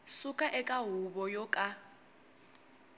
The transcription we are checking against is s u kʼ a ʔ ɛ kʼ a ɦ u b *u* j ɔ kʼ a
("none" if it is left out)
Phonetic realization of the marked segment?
ɔ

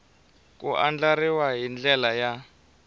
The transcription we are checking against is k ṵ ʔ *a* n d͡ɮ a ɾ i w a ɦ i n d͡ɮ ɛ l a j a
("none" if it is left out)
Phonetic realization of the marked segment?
a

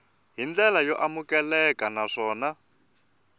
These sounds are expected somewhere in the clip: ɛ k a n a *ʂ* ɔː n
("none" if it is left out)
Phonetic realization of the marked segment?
ʂ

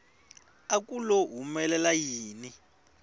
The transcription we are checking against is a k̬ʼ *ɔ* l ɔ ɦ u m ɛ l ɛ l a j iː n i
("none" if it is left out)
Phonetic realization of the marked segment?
u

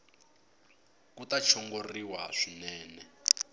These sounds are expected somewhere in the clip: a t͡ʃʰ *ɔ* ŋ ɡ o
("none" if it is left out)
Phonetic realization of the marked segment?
ɔ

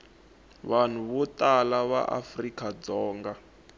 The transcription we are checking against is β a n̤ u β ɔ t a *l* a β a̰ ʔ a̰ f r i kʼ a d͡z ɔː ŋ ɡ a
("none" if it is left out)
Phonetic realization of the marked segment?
l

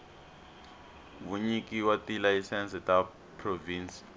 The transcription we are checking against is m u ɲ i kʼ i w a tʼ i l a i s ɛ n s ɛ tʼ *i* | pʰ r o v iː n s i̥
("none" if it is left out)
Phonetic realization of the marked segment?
a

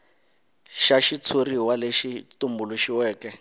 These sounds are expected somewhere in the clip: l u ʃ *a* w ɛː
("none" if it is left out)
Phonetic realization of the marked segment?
i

